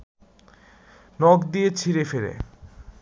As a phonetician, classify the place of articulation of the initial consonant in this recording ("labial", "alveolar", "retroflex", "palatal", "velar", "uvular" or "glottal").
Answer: alveolar